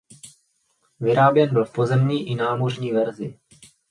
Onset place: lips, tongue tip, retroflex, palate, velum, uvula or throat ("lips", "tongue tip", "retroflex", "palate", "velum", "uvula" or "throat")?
lips